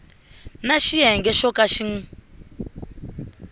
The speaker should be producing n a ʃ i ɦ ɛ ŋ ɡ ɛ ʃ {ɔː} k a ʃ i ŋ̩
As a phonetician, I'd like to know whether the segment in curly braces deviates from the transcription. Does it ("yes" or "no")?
yes